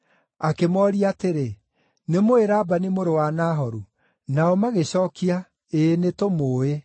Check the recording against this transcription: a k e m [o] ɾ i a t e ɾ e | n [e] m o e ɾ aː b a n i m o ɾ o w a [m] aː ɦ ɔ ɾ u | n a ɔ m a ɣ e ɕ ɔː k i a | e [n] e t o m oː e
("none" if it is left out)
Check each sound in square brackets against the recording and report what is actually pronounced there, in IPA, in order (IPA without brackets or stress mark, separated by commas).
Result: ɔ, e, n, n